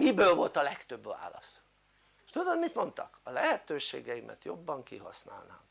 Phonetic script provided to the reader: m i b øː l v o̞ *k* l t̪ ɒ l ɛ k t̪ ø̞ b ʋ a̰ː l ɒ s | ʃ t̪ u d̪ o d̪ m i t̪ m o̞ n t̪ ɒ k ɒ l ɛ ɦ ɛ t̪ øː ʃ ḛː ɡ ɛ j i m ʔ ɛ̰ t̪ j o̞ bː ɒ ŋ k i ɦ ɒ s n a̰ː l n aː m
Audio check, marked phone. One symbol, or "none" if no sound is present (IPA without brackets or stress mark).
none